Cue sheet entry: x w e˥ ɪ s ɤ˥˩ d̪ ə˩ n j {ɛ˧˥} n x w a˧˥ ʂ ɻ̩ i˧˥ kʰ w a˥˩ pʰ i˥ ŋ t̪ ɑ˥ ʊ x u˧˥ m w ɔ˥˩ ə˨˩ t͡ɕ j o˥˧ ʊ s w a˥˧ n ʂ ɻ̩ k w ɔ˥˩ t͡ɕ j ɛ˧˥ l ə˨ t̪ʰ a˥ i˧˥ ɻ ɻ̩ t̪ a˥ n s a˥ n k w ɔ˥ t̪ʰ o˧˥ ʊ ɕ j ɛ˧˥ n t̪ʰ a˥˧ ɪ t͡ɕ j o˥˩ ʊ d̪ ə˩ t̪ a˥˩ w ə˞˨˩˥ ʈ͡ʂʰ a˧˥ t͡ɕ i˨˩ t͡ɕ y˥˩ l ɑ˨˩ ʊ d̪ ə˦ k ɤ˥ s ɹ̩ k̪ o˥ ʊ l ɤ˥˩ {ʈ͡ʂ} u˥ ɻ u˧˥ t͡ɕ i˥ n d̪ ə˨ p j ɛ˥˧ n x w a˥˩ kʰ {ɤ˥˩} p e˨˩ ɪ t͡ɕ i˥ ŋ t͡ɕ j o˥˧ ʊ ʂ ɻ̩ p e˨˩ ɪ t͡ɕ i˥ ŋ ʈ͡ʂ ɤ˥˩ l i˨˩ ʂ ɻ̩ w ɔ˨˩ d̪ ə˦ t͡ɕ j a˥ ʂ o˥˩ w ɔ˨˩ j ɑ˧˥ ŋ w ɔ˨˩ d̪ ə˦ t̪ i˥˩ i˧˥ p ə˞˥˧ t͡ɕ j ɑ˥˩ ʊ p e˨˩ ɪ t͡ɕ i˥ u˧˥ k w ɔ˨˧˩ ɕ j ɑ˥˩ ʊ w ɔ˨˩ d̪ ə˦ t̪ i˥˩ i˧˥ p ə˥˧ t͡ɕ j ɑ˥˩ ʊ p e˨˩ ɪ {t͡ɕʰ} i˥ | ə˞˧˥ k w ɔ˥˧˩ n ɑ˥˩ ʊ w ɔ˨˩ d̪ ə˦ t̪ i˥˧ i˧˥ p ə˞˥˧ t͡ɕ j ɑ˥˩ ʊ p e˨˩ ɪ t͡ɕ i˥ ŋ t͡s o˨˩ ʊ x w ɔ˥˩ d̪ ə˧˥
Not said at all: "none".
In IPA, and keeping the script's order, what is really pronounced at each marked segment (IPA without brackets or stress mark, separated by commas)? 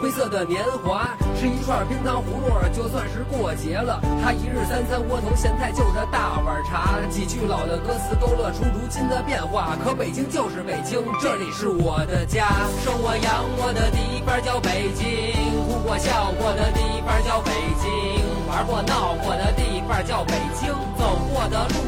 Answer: ɛ˧˥, ʈ͡ʂʰ, ɤ˧˥, t͡ɕ